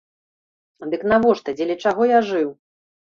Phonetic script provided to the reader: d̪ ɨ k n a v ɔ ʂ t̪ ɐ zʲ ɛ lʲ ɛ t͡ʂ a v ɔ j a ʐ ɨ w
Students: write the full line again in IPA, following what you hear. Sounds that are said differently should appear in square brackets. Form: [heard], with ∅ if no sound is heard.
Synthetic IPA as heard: d̪ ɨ k n a v ɔ ʂ t̪ ɐ [d͡zʲ] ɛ lʲ ɛ t͡ʂ a [ɣ] ɔ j a ʐ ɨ w